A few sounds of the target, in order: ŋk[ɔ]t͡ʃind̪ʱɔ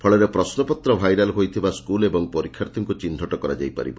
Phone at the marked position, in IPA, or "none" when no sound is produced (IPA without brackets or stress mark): u